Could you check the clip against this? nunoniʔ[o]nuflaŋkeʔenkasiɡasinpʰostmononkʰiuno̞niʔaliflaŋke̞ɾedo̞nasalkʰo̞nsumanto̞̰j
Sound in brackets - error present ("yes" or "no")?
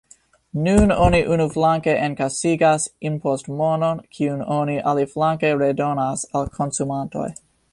yes